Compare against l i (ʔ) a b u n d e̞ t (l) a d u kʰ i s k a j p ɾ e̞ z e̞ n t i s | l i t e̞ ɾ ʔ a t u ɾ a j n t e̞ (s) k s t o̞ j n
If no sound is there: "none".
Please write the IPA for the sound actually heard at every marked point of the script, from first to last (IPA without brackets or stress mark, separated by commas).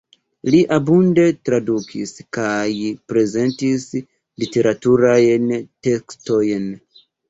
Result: ʔ, ɾ, none